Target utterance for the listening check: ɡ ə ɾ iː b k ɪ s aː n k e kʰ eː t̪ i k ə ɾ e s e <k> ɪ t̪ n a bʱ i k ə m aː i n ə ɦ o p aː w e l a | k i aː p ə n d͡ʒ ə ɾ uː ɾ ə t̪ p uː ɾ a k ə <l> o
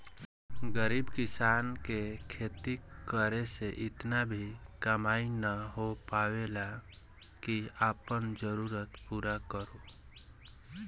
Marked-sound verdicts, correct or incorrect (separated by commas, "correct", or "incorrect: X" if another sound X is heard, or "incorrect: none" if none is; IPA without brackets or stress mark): incorrect: ʔ, incorrect: ɾ